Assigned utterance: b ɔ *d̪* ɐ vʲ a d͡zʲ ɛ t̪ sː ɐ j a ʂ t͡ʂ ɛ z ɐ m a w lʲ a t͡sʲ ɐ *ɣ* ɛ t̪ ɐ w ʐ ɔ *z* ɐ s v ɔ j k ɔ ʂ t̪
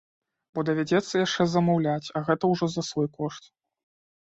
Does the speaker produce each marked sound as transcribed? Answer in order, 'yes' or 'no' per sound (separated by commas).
yes, yes, yes